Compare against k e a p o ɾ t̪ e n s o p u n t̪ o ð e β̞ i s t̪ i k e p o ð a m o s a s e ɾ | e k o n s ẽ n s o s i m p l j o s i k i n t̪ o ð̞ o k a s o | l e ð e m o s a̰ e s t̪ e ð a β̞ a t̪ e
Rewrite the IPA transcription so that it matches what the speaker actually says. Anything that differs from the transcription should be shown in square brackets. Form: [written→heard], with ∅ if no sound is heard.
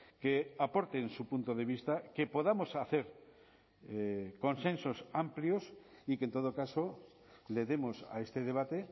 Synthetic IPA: k e a p o ɾ t̪ e n s [o→u] p u n t̪ o ð e β̞ i s t̪ [i→a] k e p o ð a m o s a [s→θ] e ɾ | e k o n s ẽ n s o s [i→a] m p l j o s i k [i→e] n t̪ o ð̞ o k a s o | l e ð e m o s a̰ e s t̪ e ð [a→e] β̞ a t̪ e

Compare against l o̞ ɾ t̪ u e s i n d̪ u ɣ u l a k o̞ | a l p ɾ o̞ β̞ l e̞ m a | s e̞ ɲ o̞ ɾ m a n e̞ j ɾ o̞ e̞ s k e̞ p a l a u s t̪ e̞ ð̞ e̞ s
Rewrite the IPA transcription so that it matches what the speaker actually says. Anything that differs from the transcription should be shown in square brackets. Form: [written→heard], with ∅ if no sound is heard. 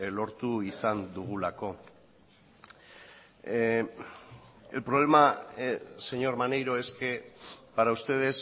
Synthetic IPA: l o̞ ɾ t̪ u [e→i] s [i→a] n d̪ u ɣ u l a k o̞ | [a→e] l p ɾ o̞ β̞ l e̞ m a | s e̞ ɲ o̞ ɾ m a n e̞ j ɾ o̞ e̞ s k e̞ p a [l→ɾ] a u s t̪ e̞ ð̞ e̞ s

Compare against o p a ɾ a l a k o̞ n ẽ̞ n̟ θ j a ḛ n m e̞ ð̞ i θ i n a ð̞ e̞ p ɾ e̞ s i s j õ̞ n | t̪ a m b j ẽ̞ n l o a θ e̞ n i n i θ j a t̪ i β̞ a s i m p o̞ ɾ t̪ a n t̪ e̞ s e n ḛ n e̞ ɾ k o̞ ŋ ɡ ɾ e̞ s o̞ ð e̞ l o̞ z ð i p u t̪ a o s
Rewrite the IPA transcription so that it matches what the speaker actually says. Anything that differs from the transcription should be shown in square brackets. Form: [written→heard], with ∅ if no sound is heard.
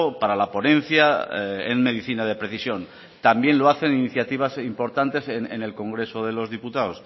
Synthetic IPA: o p a ɾ a l a [k→p] o̞ n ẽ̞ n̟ θ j a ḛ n m e̞ ð̞ i θ i n a ð̞ e̞ p ɾ e̞ [s→θ] i s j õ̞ n | t̪ a m b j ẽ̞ n l o a θ e̞ n i n i θ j a t̪ i β̞ a s i m p o̞ ɾ t̪ a n t̪ e̞ s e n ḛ n e̞ [ɾ→l] k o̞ ŋ ɡ ɾ e̞ s o̞ ð e̞ l o̞ z ð i p u t̪ a o s

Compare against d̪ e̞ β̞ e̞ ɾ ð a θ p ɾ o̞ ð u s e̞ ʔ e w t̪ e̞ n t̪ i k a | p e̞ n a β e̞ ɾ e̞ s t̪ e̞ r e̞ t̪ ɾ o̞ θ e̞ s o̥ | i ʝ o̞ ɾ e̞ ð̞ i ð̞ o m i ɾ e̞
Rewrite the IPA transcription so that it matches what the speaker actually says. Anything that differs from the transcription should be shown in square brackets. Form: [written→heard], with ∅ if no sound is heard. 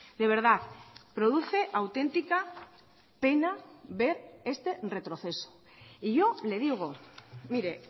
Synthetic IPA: d̪ e̞ β̞ e̞ ɾ ð a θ p ɾ o̞ ð u [s→θ] e̞ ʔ [e→a] w t̪ e̞ n t̪ i k a | p e̞ n a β e̞ ɾ e̞ s t̪ e̞ r e̞ t̪ ɾ o̞ θ e̞ s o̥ | i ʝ o̞ [ɾ→l] e̞ ð̞ i [ð̞→ɣ̞] o m i ɾ e̞

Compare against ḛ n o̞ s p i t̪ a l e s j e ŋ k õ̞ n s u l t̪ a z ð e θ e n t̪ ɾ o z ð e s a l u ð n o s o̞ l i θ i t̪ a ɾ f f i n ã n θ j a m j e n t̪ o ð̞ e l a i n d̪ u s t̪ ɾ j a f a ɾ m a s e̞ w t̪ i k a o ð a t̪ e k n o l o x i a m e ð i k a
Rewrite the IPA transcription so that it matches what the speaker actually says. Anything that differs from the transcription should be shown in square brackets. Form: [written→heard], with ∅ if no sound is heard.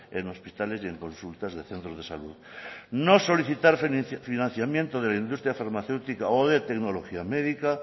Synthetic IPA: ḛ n o̞ s p i t̪ a l e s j e ŋ k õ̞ n s u l t̪ a z ð e θ e n t̪ ɾ o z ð e s a l u ð n o s o̞ l i θ i t̪ a ɾ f f i n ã n θ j a m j e n t̪ o ð̞ e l a i n d̪ u s t̪ ɾ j a f a ɾ m a [s→θ] e̞ w t̪ i k a o ð [a→e] t̪ e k n o l o x i a m e ð i k a

